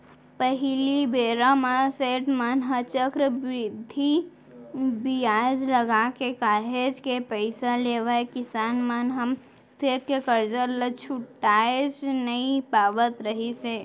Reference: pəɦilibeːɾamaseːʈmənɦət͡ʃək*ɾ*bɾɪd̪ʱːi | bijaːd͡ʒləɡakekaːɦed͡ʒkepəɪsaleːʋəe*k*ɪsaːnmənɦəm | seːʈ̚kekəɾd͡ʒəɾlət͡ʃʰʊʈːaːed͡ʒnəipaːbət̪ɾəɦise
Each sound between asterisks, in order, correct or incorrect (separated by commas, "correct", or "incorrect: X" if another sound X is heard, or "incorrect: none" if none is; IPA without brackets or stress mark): correct, correct